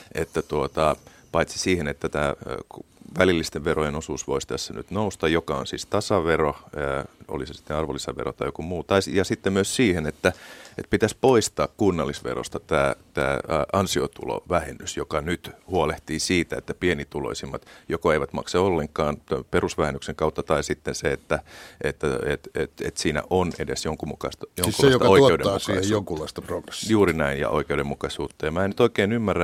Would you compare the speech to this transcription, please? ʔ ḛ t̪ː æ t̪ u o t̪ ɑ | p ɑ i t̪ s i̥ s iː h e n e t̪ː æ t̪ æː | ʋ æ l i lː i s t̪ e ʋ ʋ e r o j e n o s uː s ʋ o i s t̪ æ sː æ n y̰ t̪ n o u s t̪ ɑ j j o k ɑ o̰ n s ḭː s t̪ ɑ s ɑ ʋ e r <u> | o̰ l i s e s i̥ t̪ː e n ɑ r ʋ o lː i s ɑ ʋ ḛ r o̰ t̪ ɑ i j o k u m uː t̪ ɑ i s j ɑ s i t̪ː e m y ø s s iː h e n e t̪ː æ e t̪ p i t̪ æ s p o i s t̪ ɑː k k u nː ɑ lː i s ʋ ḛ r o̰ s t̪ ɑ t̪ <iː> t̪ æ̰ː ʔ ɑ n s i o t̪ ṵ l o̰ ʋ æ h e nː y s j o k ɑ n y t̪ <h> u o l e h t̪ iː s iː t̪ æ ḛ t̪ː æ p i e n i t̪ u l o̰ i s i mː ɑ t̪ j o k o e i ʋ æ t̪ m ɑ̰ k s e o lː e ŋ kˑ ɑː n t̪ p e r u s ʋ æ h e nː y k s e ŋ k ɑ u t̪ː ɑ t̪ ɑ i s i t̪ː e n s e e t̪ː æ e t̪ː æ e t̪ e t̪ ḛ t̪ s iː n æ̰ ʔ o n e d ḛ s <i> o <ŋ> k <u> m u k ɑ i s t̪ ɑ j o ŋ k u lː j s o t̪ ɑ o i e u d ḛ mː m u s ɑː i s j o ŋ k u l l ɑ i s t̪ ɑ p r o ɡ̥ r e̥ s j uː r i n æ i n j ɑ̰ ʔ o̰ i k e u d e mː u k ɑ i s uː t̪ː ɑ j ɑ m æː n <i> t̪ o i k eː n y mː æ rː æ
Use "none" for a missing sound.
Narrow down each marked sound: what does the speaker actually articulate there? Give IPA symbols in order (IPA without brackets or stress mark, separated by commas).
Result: o, æː, h, j, ŋ, u, y